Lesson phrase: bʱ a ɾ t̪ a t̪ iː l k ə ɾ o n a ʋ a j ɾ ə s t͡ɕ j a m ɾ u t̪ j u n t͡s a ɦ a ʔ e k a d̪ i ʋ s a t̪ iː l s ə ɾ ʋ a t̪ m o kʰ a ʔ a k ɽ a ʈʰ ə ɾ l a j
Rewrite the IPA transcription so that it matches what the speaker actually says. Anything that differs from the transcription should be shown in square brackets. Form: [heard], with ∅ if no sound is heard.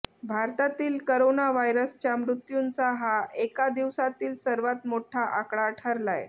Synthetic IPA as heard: bʱ a ɾ t̪ a t̪ iː l k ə ɾ o n a ʋ a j ɾ ə s t͡ɕ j a m ɾ u t̪ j u n t͡s a ɦ a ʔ e k a d̪ i ʋ s a t̪ iː l s ə ɾ ʋ a t̪ m o [ʈʰ] a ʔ a k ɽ a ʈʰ ə ɾ l a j